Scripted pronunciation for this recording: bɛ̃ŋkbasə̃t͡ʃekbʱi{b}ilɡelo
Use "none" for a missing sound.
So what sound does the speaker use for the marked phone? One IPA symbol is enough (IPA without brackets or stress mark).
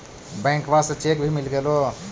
m